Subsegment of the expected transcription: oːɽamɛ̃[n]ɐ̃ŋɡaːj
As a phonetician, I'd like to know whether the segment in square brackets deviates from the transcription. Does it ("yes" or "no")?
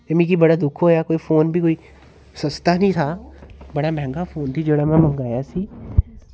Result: yes